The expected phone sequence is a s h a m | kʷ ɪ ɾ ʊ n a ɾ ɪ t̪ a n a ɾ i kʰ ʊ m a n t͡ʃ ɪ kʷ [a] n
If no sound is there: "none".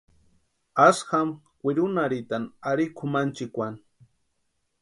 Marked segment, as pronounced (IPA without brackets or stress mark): a